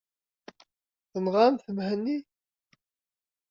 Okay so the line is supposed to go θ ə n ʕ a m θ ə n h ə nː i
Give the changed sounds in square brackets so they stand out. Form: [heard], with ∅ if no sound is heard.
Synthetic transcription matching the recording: θ ə n [ʁ] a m θ ə [m] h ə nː i